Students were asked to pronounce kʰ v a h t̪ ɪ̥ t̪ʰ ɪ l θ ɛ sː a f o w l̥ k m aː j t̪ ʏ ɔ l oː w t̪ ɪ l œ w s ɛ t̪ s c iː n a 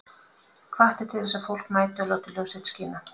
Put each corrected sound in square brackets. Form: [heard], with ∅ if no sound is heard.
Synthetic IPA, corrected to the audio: kʰ v a h t̪ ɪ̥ t̪ʰ ɪ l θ ɛ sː a f o w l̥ k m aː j t̪ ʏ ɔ l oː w t̪ ɪ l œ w s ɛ t̪ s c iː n a